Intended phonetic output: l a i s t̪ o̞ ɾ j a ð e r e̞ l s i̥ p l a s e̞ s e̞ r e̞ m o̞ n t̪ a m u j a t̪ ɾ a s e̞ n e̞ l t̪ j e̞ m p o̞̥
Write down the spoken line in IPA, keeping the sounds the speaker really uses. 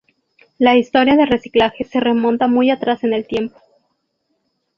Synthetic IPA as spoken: l a i s t̪ o̞ ɾ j a ð e r e̞ s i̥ k l a x e̞ s e̞ r e̞ m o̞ n t̪ a m u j a t̪ ɾ a s e̞ n e̞ l t̪ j e̞ m p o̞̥